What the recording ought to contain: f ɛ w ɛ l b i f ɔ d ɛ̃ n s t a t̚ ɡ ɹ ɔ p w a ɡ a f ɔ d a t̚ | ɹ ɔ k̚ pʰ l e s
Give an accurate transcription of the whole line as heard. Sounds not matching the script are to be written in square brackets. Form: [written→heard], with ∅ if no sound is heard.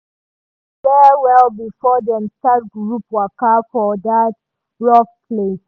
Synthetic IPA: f ɛ w ɛ l b i f ɔ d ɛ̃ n s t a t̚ ɡ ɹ [ɔ→u] p w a [ɡ→k] a f ɔ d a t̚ | ɹ ɔ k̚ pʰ l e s

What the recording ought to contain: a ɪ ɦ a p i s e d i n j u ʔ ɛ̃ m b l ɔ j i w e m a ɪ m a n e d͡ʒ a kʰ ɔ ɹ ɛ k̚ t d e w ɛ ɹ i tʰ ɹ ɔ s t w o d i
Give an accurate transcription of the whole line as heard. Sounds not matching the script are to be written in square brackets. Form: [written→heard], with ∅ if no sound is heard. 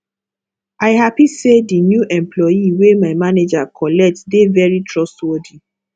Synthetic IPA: a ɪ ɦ a p i s e d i n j u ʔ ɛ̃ m [b→p] l ɔ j i w e m a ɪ m a n e d͡ʒ a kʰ ɔ [ɹ→l] ɛ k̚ t d e [w→v] ɛ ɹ i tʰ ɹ ɔ s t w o d i

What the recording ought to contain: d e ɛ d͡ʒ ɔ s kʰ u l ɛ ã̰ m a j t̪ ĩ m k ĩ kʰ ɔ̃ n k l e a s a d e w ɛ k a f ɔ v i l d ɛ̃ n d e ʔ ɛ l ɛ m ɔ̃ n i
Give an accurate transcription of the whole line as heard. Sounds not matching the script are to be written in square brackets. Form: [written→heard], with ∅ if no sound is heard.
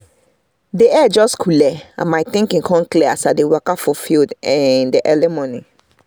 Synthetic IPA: d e ɛ d͡ʒ ɔ s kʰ u l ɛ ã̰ m a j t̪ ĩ [m→ŋ] k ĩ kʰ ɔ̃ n k l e a s a d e w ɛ k a f ɔ [v→f] i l d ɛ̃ n d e ʔ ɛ l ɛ m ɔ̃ n i

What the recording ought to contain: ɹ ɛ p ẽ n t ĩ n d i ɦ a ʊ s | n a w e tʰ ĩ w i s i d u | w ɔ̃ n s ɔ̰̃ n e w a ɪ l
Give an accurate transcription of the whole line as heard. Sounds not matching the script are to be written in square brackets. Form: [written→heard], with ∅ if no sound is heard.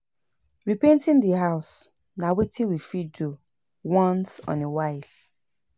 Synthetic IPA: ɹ [ɛ→i] p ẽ n t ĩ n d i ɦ a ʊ s | n a w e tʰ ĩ w i [s→f] i d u | w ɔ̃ n s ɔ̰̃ n e w a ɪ l

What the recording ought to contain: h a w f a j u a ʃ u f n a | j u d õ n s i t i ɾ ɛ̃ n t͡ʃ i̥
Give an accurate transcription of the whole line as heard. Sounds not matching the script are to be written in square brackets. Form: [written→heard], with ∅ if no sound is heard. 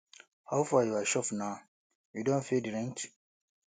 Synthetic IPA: h a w f a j u a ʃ [u→ɔ] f n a | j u d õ n [s→f] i [t→d] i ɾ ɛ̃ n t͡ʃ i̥

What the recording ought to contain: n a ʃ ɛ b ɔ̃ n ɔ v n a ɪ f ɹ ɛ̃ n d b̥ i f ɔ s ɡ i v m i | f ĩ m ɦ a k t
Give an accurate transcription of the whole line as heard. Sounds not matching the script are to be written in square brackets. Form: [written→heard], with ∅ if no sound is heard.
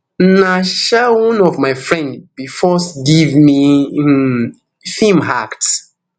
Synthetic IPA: n a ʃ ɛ [b→w] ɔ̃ n ɔ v [n→m] a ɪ f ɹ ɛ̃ n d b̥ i f ɔ s ɡ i v m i | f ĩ m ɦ a k t

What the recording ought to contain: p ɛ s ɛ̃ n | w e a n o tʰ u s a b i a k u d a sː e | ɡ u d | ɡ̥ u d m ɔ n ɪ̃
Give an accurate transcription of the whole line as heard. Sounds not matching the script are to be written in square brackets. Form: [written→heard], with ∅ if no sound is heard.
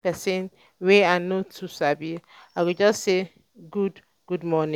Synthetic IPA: p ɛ s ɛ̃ n | w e a n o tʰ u s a b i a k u [d→d͡ʒ] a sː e | ɡ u d | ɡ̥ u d m ɔ n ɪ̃

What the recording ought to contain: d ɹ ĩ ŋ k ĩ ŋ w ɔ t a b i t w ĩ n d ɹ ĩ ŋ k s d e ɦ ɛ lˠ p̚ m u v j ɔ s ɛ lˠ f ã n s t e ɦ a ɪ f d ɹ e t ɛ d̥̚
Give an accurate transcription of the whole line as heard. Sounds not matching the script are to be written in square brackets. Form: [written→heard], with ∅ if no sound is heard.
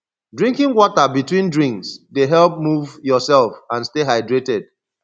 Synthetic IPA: d ɹ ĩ ŋ k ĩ ŋ w ɔ t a b i t w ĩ n d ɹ ĩ ŋ k s d e ɦ ɛ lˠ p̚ m u v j ɔ s ɛ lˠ f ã n s t e ɦ a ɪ [f→∅] d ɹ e t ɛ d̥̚

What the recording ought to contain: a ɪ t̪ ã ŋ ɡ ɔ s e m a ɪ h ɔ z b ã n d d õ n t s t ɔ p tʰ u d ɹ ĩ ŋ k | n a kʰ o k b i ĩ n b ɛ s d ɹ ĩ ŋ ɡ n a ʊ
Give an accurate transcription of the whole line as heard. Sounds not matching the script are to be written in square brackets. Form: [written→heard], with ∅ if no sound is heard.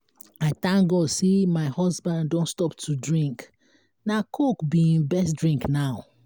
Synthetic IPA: a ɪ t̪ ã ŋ ɡ ɔ s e m a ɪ h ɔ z b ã n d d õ n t s t ɔ p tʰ u d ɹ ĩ ŋ k | n a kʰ o k b i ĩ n b ɛ s d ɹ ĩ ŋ [ɡ→k] n a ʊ

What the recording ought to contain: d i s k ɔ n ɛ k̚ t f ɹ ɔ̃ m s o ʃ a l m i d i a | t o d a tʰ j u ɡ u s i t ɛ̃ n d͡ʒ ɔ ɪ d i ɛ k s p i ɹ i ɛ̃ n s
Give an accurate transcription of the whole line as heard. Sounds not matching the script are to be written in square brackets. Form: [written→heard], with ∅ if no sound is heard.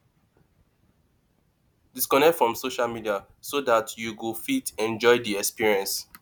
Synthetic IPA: d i s k ɔ n ɛ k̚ t f ɹ ɔ̃ m s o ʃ a l m i d i a | [t→s] o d a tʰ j u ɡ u [s→f] i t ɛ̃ n d͡ʒ ɔ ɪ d i ɛ k s p i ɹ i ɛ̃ n s

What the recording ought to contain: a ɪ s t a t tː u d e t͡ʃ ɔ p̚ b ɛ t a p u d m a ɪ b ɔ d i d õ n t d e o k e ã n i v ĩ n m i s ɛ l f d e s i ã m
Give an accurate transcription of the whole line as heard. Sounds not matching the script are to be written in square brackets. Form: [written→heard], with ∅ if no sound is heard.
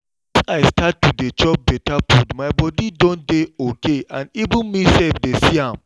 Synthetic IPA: a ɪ s t a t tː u d e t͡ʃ ɔ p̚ b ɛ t a p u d m a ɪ b ɔ d i d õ n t d e o k e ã n i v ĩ n m i s ɛ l f d e s i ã m

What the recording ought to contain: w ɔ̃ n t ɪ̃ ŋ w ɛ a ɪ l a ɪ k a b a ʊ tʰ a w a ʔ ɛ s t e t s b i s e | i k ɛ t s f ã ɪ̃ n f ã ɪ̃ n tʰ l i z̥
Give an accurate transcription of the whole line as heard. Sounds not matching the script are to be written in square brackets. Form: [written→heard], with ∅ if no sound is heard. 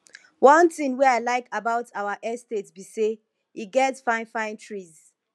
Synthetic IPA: w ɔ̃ n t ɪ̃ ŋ w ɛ a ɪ l a ɪ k a b a ʊ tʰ a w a ʔ ɛ s t e t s b i s e | i [k→ɡ] ɛ t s f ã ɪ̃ n f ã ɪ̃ n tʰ [l→ɹ] i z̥

